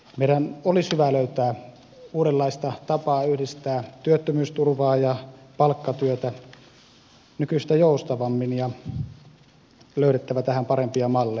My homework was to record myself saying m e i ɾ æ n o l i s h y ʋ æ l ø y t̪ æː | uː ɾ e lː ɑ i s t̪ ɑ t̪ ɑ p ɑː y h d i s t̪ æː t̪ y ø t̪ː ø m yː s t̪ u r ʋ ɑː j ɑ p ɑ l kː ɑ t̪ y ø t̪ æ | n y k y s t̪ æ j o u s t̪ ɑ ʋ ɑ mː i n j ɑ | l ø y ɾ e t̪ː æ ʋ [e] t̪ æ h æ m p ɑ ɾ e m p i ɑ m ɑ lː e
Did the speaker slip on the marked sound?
yes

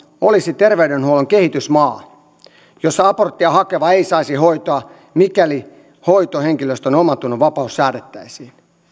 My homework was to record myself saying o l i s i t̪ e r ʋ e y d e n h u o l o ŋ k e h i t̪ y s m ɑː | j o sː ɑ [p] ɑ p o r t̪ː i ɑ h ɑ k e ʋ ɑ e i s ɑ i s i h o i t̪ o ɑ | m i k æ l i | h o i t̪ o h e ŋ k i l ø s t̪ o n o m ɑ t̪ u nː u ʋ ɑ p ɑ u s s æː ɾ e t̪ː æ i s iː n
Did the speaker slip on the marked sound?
yes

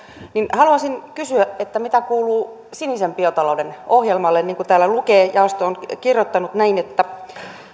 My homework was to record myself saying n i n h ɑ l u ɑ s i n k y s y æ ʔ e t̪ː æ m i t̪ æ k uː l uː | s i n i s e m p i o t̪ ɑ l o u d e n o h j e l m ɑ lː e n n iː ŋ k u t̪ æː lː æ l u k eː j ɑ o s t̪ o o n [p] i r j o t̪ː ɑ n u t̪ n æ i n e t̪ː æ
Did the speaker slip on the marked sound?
yes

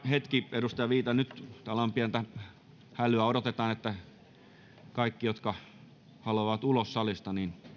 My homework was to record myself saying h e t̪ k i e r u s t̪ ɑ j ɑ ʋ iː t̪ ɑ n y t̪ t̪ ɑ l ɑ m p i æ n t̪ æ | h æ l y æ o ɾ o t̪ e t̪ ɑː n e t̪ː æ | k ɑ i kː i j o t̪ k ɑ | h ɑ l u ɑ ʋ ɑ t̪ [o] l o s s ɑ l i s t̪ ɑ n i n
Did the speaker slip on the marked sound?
yes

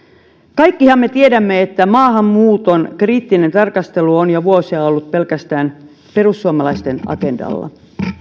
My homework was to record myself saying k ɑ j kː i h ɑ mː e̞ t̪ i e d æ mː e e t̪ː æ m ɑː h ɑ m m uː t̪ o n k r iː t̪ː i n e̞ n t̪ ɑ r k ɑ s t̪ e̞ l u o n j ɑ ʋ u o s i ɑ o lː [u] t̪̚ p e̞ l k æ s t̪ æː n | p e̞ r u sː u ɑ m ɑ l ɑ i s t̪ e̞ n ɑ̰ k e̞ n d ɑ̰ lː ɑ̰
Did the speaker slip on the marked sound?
no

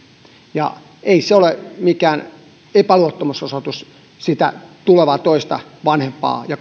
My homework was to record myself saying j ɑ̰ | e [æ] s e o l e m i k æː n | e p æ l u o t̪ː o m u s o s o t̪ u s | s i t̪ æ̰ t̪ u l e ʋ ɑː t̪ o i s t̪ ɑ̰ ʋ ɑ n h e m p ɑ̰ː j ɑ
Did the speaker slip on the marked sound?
yes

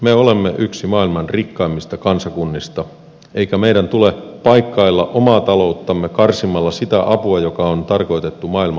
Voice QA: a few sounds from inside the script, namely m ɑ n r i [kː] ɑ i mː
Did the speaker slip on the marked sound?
no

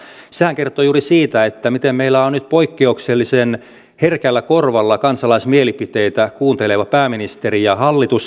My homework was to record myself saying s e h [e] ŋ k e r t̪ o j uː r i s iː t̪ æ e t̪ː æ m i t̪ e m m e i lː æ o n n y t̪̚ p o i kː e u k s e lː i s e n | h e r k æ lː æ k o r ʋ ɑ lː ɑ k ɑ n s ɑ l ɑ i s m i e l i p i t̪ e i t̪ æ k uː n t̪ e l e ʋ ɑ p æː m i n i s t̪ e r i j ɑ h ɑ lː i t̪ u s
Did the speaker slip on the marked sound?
yes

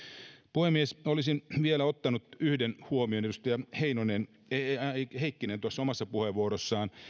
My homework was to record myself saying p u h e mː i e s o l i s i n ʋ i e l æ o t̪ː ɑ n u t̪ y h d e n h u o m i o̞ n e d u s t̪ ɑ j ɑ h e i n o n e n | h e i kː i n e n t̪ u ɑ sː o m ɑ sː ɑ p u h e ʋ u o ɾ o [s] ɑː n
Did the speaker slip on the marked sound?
yes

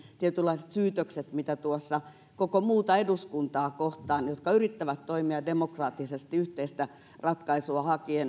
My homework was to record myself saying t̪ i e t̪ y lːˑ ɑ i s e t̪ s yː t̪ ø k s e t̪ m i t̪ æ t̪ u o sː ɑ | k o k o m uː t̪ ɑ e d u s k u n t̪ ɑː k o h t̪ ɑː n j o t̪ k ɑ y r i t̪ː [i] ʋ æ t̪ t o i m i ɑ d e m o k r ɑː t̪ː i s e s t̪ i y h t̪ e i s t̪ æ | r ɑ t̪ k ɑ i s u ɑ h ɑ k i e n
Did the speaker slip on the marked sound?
yes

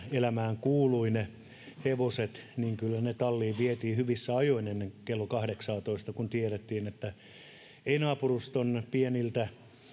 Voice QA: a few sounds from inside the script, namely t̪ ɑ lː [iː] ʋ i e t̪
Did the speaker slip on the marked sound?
no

